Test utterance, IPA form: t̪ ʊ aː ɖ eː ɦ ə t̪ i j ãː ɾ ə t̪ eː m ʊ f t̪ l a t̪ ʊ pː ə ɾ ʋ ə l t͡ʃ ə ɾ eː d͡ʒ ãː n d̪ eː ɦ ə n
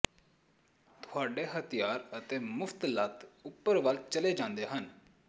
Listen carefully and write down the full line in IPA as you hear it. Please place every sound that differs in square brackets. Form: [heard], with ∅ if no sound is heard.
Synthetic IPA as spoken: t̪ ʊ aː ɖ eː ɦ ə t̪ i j [aː] ɾ ə t̪ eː m ʊ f t̪ l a t̪ ʊ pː ə ɾ ʋ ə l t͡ʃ ə [l] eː d͡ʒ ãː n d̪ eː ɦ ə n